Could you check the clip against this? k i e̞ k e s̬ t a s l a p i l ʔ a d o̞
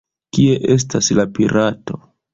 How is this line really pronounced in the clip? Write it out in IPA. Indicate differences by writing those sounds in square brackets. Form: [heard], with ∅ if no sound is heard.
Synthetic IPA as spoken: k i e̞ [ʔ] e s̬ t a s l a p i [ɾ] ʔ a [t] o̞